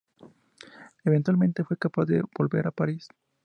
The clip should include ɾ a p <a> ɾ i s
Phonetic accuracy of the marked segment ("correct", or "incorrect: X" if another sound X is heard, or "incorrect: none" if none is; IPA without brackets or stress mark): correct